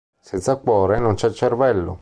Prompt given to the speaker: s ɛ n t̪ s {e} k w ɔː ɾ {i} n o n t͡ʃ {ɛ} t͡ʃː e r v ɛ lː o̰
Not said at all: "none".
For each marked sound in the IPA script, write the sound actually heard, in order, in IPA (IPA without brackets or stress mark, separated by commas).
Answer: a, e, ɛ